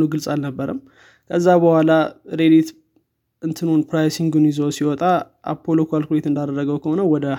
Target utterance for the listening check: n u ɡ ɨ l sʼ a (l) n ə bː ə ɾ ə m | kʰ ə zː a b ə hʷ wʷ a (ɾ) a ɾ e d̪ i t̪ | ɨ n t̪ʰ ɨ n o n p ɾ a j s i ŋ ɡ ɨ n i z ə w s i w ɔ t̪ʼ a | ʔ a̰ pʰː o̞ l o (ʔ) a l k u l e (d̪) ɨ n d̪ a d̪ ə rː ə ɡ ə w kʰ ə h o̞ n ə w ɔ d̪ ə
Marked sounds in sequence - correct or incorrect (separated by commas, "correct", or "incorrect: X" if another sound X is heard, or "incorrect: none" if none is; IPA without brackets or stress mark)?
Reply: correct, incorrect: l, incorrect: k, incorrect: t̪